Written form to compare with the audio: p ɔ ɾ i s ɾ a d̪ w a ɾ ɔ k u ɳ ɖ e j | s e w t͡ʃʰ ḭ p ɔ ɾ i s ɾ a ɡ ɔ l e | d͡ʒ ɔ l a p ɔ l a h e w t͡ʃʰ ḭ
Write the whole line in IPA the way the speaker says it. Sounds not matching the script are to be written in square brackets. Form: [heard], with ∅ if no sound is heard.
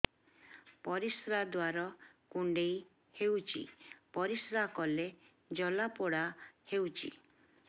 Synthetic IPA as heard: p ɔ ɾ i s ɾ a d̪ w a ɾ ɔ k u ɳ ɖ e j | [h] e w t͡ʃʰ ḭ p ɔ ɾ i s ɾ a [k] ɔ l e | d͡ʒ ɔ l a p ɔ [ɽ] a h e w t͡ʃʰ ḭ